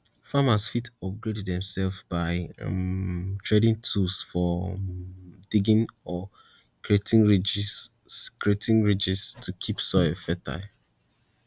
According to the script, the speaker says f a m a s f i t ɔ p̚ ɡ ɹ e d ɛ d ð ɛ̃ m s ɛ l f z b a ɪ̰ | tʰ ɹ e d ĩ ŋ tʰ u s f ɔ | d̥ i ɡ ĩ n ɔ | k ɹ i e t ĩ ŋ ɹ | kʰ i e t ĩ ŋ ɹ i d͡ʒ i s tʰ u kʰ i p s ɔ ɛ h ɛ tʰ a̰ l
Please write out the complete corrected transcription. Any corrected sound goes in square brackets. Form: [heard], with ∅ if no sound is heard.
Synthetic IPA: f a m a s f i t ɔ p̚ ɡ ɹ e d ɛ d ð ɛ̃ m s ɛ l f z b a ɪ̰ | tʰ ɹ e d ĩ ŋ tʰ u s f ɔ | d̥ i ɡ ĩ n ɔ | k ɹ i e t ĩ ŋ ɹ | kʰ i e t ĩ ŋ ɹ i d͡ʒ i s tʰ u kʰ i p s ɔ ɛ [f] ɛ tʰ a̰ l